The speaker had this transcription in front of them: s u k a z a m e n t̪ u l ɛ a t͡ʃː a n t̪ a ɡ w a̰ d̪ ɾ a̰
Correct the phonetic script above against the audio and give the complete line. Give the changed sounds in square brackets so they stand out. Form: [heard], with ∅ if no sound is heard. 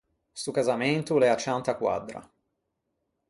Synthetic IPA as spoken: s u k a z a m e n t̪ u l ɛ a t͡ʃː a n t̪ a [k] w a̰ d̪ ɾ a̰

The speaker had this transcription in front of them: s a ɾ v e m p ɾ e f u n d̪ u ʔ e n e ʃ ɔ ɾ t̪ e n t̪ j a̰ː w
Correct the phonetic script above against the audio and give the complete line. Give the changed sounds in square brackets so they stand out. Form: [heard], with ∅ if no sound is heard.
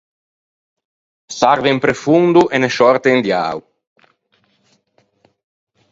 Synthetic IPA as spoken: s a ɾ v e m p ɾ e f u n d̪ u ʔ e n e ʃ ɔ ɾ t̪ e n [d̪] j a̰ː w

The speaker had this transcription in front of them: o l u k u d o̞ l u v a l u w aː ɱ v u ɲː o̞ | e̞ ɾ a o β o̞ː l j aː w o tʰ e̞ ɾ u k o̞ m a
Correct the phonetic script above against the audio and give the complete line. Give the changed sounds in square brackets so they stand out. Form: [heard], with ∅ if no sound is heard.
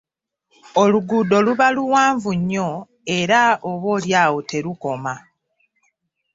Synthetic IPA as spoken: o l u [ɡ] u d o̞ l u [β] a l u w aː ɱ v u ɲː o̞ | e̞ ɾ a o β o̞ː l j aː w o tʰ e̞ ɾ u k o̞ m a

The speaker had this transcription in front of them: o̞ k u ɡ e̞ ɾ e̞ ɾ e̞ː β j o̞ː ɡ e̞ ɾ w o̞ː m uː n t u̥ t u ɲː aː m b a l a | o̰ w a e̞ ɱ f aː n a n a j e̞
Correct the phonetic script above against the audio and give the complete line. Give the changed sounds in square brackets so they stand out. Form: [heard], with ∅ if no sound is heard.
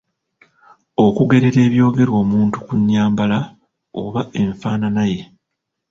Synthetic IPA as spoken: o̞ k u ɡ e̞ ɾ e̞ ɾ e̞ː β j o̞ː ɡ e̞ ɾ w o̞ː m uː n t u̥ [k] u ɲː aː m b a l a | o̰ [β] a e̞ ɱ f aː n a n a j e̞

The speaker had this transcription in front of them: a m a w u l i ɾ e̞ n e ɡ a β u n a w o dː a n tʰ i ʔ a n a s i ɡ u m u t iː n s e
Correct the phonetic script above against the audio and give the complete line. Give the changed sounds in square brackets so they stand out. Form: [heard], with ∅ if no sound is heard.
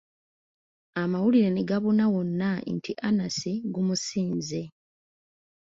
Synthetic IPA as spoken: a m a w u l i ɾ e̞ n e ɡ a β u n a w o [nː] a n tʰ i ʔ a n a s i ɡ u m u [s] iː n [z] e

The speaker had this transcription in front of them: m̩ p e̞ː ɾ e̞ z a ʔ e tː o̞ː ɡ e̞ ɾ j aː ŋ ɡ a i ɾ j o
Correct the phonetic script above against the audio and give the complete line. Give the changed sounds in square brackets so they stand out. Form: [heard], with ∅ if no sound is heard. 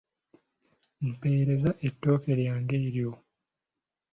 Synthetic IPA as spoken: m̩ p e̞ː ɾ e̞ z a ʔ e tː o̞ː [k] e̞ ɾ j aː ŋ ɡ [e] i ɾ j o

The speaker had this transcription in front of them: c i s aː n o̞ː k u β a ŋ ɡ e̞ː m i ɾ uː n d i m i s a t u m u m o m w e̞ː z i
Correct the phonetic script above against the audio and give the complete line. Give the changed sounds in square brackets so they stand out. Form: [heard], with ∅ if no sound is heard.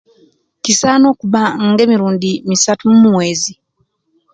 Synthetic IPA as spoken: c i s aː n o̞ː k u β a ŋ ɡ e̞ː m i ɾ uː n d i m i s a t u m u m [u] m w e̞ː z i

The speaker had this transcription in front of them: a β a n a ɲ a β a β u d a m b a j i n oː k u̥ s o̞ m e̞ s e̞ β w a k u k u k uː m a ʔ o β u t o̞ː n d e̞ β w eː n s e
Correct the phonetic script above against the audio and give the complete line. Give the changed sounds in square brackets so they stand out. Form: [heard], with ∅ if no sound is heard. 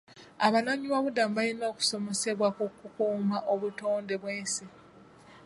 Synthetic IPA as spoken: a β a n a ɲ [i] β a β u d a m b a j i n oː k u̥ s o̞ m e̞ s e̞ β w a k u k u k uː m a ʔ o β u t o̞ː n d e̞ β w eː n s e

